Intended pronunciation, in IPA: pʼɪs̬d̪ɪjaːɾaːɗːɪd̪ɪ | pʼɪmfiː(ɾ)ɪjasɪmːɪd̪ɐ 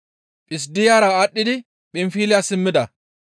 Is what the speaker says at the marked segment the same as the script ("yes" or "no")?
no